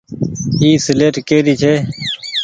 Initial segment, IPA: iː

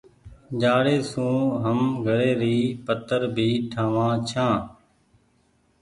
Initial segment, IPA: d͡ʒ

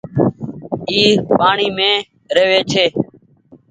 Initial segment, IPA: iː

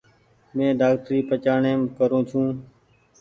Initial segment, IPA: m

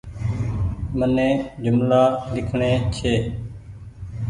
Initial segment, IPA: m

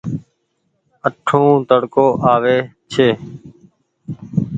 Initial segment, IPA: ə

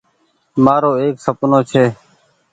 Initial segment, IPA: m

